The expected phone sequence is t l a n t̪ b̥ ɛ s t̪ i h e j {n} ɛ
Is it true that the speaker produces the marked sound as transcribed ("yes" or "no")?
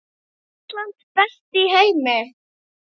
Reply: no